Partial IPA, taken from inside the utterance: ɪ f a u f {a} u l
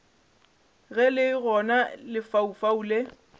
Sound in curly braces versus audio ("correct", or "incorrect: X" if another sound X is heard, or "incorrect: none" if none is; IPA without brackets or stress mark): correct